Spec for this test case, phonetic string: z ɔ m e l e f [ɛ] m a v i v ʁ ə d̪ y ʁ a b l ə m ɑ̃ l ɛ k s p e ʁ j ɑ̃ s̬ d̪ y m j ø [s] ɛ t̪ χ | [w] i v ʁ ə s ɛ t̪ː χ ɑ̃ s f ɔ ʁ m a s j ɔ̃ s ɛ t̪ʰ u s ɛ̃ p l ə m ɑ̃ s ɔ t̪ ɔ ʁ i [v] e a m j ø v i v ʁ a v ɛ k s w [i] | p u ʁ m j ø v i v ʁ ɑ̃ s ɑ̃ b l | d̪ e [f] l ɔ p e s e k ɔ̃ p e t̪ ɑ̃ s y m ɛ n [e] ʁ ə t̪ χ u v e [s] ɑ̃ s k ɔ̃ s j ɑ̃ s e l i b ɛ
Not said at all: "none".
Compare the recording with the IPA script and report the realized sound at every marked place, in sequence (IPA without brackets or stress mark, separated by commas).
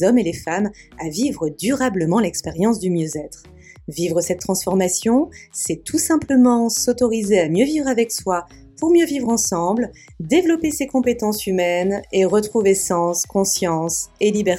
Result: a, z, v, z, a, v, e, s